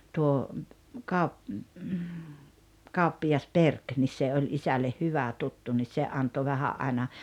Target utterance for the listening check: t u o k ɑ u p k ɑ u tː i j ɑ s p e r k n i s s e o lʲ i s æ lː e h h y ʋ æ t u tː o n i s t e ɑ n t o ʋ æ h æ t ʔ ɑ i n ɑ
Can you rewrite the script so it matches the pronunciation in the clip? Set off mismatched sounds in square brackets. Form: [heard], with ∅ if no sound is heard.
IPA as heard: t u o k ɑ u p k ɑ u [pː] i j ɑ s p e r k n i s s e o lʲ i s æ lː e h h y ʋ æ t u tː [u] n i s [s] e ɑ n t o ʋ æ h æ [ʔ] ʔ ɑ i n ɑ

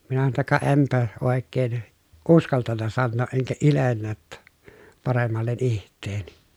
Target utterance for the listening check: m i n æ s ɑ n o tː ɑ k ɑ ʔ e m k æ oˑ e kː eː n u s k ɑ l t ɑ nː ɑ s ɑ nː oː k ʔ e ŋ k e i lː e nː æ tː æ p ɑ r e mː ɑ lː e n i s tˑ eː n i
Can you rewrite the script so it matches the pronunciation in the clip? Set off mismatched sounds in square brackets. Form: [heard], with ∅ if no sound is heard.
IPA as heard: m i n æ s ɑ n o tː ɑ k ɑ ʔ e m [p] æ oˑ e kː eː n u s k ɑ l t ɑ nː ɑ s ɑ nː oː [ʔ] ʔ e ŋ k [æ] i [l] e nː æ tː æ p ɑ r e mː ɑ lː e n i [h] tˑ eː n i

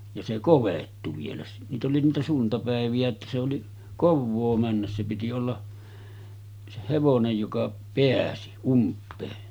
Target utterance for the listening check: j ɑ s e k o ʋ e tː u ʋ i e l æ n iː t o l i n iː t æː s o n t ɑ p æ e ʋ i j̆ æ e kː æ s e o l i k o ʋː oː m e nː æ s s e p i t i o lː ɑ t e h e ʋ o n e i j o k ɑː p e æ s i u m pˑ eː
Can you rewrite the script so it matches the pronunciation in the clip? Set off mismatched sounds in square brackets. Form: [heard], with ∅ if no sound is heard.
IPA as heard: j ɑ s e k o ʋ e tː u ʋ i e l æ n iː t o l i n iː t [æ] s [u] n t ɑ p æ e ʋ i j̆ æ e [tː] æ s e o l i k o ʋː oː m [æ] nː æ s s e p i t i o lː ɑ [s] e h e ʋ o n e [j] j o k [ɑ] p e æ s i u m pˑ eː

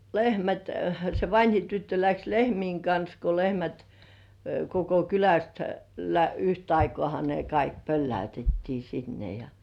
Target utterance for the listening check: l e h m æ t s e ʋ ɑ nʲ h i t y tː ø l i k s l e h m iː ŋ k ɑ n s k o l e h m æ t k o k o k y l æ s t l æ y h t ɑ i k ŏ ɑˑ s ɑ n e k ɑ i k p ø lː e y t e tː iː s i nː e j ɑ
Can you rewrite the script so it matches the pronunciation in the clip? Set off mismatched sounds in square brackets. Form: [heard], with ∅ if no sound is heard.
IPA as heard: l e h m æ t s e ʋ ɑ nʲ h i t y tː ø l [æ] k s l e h m iː ŋ k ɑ n s k o l e h m æ t k o k o k y l æ s t l æ y h t ɑ i k ŏ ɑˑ [h] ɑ n e k ɑ i k p ø lː [æ] y t e tː iː s i nː e j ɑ

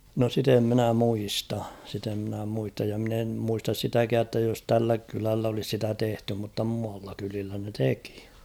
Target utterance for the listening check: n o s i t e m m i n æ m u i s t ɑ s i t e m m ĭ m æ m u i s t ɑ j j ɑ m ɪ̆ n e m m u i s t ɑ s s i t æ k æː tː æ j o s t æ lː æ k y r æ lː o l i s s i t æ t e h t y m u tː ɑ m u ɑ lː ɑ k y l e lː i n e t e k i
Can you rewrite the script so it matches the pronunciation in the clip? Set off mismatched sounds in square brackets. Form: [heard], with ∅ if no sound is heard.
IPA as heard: n o s i t e m m i n æ m u i s t ɑ s i t e m m ĭ [n] æ m u i s t ɑ j j ɑ m ɪ̆ n e m m u i s t ɑ s s i t æ k æː tː æ j o s t æ lː æ k y [l] æ lː o l i s s i t æ t e h t y m u tː ɑ m u ɑ lː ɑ k y l [i] lː [æ] n e t e k i

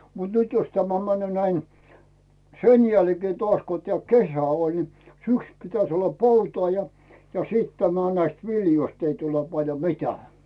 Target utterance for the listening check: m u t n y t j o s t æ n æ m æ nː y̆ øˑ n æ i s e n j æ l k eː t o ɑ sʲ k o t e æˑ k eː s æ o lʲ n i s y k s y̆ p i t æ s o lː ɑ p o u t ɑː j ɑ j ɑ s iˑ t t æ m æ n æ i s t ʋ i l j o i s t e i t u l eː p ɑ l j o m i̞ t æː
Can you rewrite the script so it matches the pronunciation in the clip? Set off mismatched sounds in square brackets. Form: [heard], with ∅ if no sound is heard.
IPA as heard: m u t n y t j o s t æ [m] æ m æ nː y̆ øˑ n æ i s e n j æ l k eː t o ɑ sʲ k o t e æˑ k [e] s æ o lʲ n i s y k s y̆ p i t æ s o lː ɑ p o u t ɑː j ɑ j ɑ s iˑ t t æ m æ n æ i s t ʋ i l j o i s t e i t u l [e] p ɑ l j o m i̞ t æː

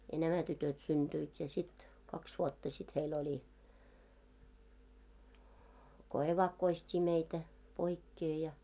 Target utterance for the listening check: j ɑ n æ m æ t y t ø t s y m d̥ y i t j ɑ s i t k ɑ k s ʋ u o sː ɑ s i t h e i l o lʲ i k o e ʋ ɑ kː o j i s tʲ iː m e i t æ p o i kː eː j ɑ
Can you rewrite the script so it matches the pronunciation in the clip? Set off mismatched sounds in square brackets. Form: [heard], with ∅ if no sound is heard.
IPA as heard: j ɑ n æ m æ t y t ø t s y [n] d̥ y i t j ɑ s i t k ɑ k s ʋ u o [tː] ɑ s i t h e i l o lʲ i k o e ʋ ɑ kː o [∅] i s tʲ iː m e i t æ p o i kː eː j ɑ

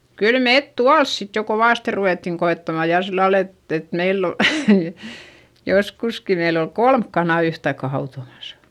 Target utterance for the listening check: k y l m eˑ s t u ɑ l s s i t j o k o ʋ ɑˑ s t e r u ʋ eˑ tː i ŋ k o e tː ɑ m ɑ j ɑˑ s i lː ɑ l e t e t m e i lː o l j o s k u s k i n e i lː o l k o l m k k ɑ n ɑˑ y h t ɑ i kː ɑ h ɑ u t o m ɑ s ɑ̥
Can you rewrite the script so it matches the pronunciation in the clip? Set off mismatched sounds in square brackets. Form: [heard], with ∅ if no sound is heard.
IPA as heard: k y l m eˑ [t] t u ɑ l s s i t j o k o ʋ ɑˑ s t e r u ʋ eˑ tː i ŋ k o e tː ɑ m ɑ j ɑˑ s i lː ɑ l e t e t m e i lː o l j o s k u s k i [m] e i lː o l k o l m k k ɑ n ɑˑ y h t ɑ i kː ɑ h ɑ u t o m ɑ s ɑ̥

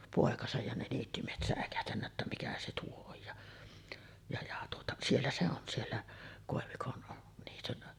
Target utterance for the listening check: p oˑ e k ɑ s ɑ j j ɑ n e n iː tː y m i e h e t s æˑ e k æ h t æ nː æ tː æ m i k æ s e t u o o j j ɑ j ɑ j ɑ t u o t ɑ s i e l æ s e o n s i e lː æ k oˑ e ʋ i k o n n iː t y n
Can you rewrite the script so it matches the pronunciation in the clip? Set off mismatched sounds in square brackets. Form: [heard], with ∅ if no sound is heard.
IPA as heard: p oˑ e k ɑ s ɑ j j ɑ n e n iː tː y m i e h e t s æˑ e k æ h t æ nː æ tː æ m i k æ s e t u o o j j ɑ j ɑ j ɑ t u o t ɑ s i e [lː] æ s e o n s i e lː æ k oˑ e ʋ i k o n n iː t y n

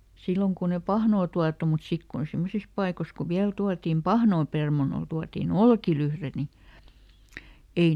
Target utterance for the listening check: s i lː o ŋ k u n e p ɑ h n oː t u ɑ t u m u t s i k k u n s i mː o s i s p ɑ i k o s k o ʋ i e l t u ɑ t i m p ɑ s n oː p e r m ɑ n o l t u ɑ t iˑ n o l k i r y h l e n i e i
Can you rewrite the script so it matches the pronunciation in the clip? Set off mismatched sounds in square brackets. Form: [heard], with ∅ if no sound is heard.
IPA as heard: s i lː o ŋ k u n e p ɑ h n oː t u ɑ t u m u t s i k k u n s i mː o s i s p ɑ i k o s k [u] ʋ i [æ] l t u ɑ t i m p ɑ [h] n oː p e r m ɑ n o l t u ɑ t iˑ n o l k i [l] y h [r] e n i e i

